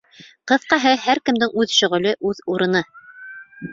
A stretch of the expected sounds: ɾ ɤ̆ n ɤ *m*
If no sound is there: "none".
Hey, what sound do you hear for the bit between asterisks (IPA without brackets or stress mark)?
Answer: none